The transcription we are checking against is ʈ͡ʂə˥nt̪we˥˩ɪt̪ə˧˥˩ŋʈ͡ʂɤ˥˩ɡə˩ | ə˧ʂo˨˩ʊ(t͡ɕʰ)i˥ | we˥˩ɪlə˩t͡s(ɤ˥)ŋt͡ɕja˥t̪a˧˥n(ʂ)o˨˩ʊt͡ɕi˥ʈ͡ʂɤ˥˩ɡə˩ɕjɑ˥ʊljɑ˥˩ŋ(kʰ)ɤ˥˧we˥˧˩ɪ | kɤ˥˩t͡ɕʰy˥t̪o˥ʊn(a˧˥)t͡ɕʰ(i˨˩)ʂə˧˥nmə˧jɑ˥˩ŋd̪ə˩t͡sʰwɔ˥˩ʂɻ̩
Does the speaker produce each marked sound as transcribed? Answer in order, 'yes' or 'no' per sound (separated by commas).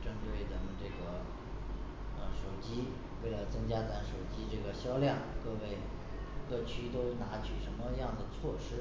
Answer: no, yes, yes, no, yes, no